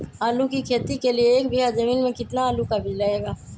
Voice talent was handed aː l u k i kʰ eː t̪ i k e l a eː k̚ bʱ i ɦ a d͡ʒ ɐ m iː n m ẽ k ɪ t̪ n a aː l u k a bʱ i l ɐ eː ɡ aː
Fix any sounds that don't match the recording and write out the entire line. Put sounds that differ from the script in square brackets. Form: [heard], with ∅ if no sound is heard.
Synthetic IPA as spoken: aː l u k i kʰ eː t̪ i k e l [i] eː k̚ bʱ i ɦ a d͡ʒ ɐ m iː n m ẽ k ɪ t̪ n a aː l u k a bʱ i l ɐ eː ɡ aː